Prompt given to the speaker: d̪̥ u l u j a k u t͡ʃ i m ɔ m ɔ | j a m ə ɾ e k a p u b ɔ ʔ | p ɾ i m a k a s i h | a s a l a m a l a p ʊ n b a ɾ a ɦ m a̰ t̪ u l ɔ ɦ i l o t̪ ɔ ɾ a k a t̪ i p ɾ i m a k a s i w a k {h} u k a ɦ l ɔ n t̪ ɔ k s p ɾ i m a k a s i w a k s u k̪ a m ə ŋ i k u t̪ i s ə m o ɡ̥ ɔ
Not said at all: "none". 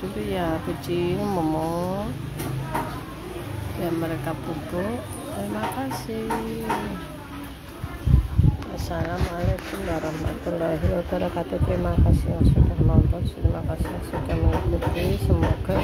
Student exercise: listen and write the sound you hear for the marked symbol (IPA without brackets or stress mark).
s